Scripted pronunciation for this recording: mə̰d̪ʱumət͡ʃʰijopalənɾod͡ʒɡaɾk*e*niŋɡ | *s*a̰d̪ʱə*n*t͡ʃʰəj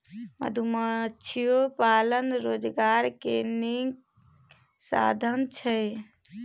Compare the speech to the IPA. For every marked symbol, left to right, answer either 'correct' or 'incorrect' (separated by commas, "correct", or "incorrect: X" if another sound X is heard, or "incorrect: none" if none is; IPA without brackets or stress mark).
correct, correct, correct